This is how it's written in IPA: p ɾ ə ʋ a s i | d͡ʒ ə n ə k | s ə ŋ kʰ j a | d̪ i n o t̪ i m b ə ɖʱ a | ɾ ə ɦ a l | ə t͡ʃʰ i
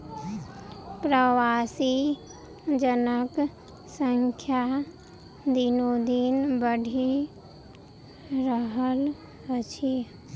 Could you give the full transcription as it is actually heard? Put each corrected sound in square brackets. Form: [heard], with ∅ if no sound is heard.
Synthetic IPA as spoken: p ɾ ə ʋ a s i | d͡ʒ ə n ə k | s ə ŋ kʰ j a | d̪ i n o [d̪] i [n] b ə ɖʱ [i] | ɾ ə ɦ [ə] l | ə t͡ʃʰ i